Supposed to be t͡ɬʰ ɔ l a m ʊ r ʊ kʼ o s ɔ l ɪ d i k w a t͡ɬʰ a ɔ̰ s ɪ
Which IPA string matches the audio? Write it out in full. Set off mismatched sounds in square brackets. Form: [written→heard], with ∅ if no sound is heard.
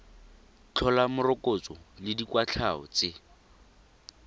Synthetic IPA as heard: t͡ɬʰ ɔ l a m ʊ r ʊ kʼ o [s→t͡s] ɔ l ɪ d i k w a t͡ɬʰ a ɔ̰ [s→t͡s] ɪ